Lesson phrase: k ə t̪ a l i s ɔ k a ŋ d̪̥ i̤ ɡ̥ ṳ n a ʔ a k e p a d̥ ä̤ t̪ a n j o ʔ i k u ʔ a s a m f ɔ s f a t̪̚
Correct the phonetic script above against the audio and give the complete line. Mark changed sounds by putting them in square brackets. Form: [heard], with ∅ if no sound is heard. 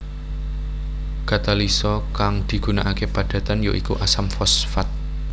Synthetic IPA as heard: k [a] t̪ a l i s ɔ k a ŋ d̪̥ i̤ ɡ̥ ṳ n a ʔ a k e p a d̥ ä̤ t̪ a n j o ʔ i k u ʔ a s a m f ɔ s f a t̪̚